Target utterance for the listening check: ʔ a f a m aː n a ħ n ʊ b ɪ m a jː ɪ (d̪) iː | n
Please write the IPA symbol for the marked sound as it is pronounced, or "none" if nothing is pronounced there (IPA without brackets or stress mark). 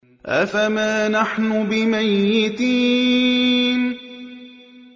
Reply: t̪